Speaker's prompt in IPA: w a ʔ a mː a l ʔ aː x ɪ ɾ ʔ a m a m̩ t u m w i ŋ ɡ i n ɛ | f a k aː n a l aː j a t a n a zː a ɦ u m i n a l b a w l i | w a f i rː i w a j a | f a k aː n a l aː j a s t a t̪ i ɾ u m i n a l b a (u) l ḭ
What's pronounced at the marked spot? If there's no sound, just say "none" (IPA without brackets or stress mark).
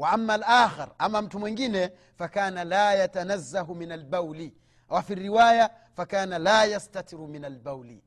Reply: w